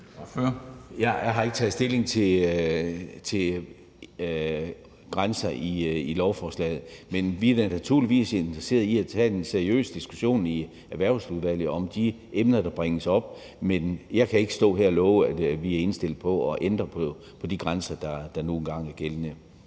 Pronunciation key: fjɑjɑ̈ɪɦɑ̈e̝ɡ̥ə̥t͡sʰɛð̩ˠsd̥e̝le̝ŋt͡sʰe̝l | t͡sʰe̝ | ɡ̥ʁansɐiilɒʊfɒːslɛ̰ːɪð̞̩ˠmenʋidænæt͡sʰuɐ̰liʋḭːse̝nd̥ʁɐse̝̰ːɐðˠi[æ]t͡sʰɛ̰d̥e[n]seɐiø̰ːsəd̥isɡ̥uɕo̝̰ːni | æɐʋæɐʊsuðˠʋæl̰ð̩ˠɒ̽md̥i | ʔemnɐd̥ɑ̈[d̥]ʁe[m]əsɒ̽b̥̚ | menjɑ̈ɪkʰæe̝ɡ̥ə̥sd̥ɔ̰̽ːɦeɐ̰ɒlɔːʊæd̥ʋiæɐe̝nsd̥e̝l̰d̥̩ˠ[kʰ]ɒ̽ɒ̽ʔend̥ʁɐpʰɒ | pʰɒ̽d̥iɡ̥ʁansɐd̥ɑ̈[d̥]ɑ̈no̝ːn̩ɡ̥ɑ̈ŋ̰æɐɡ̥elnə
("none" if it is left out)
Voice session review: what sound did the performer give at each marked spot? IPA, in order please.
æ, n, b̥, ŋ, pʰ, d̥

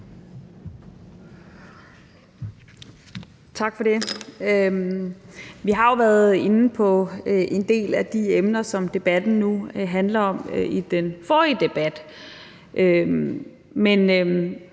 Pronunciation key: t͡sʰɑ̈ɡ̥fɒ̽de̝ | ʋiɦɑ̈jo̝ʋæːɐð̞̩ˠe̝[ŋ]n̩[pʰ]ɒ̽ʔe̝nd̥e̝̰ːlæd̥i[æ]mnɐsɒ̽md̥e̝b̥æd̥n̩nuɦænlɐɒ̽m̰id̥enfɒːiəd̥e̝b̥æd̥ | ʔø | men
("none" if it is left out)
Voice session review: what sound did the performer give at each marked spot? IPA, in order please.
n, pʰ, e

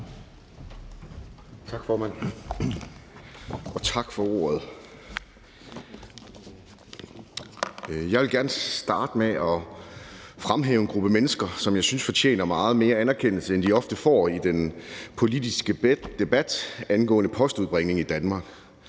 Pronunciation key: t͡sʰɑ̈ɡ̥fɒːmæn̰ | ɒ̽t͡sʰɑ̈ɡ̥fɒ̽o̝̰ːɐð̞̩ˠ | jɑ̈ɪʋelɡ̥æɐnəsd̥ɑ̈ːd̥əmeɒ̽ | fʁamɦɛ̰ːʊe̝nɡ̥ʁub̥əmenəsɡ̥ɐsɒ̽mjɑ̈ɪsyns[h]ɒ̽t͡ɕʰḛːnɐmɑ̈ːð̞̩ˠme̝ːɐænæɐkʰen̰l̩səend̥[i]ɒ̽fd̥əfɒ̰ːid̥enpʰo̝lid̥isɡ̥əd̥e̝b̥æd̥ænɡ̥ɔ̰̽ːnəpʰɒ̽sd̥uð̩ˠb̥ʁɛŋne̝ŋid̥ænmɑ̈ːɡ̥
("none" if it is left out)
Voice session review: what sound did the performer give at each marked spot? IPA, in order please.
f, i

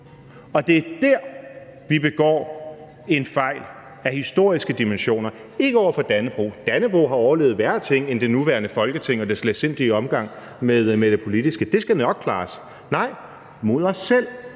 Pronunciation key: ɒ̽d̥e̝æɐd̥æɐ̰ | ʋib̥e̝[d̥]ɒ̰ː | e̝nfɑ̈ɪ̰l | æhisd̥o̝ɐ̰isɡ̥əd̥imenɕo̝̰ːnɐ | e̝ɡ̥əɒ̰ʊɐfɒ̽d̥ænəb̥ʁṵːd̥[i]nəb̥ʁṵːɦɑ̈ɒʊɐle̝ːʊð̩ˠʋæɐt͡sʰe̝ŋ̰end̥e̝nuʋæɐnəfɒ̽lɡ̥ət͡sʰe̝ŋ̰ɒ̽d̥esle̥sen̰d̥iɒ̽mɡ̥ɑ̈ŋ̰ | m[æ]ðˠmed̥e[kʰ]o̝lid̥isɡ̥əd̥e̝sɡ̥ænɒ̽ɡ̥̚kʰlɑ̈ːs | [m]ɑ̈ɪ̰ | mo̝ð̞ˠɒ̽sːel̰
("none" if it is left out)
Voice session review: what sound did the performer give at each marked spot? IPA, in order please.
ɡ̥, æ, e, pʰ, n

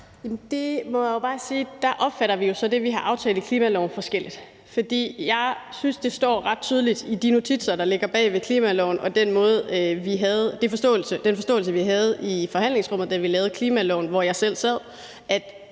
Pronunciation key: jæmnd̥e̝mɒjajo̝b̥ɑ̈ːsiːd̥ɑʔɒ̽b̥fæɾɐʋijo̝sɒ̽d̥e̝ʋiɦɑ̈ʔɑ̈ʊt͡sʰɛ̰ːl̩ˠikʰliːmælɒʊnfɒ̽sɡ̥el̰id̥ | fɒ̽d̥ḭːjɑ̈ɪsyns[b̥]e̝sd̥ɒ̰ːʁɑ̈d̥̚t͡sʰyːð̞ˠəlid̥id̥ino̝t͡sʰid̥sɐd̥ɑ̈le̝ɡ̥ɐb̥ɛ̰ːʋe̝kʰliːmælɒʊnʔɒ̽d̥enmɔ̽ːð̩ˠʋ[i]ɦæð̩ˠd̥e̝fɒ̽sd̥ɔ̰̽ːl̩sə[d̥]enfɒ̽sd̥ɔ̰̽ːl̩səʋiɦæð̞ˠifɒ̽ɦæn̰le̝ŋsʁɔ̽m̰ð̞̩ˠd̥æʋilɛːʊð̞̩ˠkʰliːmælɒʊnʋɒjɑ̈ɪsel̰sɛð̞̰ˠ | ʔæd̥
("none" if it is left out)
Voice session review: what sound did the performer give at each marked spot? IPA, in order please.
d̥, i, d̥

